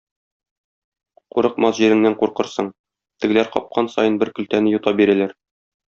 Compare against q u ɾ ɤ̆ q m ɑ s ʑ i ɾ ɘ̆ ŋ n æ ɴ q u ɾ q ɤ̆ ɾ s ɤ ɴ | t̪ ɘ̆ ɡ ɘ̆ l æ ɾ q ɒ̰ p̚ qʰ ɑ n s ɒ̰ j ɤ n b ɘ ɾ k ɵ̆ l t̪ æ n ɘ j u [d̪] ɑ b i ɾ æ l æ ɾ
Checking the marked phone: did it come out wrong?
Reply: yes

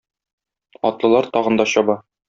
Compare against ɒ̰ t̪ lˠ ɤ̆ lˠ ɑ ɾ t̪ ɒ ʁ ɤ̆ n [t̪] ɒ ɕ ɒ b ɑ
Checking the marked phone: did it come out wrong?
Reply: yes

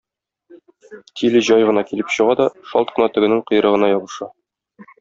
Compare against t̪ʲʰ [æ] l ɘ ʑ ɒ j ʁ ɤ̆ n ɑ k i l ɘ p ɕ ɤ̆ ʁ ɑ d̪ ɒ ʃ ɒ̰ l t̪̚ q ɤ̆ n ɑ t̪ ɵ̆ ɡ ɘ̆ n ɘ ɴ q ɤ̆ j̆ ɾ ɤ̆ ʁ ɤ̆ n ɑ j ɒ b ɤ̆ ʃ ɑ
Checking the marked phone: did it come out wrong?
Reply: yes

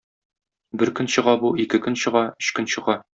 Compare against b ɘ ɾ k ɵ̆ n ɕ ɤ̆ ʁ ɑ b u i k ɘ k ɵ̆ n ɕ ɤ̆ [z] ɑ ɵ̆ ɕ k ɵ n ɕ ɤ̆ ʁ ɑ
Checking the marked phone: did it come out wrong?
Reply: yes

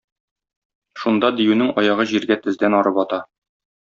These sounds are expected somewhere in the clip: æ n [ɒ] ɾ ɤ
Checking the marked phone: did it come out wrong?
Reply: no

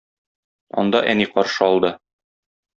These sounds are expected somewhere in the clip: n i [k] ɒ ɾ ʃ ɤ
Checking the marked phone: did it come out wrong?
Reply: yes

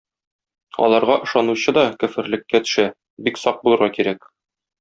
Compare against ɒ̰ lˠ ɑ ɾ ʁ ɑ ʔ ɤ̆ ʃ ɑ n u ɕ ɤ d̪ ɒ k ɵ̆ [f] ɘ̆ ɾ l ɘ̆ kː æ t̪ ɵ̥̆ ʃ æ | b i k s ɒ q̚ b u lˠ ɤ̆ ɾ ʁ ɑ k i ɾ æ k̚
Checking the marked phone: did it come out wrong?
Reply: no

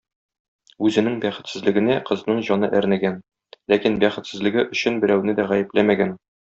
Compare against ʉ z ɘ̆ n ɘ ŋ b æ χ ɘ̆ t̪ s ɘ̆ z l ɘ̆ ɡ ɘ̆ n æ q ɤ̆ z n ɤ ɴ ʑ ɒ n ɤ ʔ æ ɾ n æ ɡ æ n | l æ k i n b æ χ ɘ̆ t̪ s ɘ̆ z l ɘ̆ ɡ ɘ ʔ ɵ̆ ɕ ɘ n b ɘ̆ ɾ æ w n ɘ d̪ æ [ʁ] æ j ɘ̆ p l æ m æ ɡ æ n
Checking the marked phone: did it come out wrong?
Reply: no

